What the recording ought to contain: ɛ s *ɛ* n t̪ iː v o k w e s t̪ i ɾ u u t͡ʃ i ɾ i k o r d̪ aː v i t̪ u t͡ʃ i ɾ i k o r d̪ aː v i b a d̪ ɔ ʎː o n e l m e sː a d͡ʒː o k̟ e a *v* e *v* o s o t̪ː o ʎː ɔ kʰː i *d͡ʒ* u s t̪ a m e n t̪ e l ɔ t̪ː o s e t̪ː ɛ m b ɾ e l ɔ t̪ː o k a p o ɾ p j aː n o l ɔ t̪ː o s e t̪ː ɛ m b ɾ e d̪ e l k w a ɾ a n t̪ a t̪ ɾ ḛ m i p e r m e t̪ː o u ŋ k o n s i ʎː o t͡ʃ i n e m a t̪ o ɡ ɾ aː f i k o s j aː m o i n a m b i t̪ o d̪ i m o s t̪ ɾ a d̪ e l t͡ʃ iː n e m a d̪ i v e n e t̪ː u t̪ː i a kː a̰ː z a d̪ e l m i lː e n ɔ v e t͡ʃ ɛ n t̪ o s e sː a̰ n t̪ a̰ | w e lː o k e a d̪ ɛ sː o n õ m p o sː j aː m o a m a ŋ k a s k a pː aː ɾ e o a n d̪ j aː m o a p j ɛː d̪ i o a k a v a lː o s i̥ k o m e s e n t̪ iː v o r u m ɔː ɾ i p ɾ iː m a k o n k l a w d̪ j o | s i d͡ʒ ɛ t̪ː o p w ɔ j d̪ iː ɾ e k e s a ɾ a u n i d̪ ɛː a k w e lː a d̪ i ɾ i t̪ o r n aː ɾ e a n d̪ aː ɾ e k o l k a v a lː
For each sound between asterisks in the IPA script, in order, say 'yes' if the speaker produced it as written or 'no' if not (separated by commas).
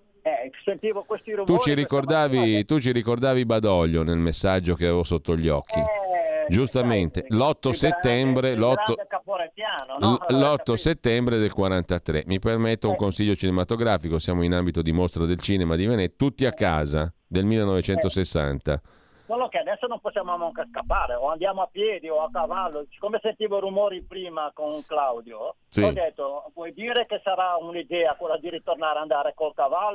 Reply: no, yes, yes, yes